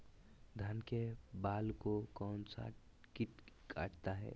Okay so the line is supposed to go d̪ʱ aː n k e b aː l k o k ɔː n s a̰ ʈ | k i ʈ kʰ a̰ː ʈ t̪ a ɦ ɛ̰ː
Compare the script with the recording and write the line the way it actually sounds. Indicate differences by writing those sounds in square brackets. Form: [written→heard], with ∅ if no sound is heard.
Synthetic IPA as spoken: d̪ʱ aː n k e b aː l k o k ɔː n s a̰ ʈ | k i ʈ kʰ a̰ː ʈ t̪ a ɦ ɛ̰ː